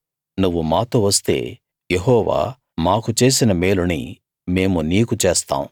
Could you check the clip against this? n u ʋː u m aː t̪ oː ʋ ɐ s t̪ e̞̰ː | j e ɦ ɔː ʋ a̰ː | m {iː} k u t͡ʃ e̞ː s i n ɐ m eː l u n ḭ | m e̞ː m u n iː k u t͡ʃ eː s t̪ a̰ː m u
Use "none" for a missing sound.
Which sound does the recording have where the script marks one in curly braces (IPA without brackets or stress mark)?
aː